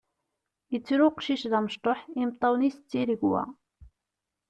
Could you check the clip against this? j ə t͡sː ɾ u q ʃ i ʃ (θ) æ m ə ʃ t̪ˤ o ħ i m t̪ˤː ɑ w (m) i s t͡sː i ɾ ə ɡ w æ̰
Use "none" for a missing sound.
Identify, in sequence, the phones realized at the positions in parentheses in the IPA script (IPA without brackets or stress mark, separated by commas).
ð, n